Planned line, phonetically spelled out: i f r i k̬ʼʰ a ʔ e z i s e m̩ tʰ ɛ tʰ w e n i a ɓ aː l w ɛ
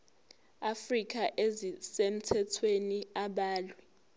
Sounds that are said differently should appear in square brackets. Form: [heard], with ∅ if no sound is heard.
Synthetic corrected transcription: [a] f r i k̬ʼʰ a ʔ e z i s e m̩ tʰ ɛ tʰ w e n i a ɓ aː l w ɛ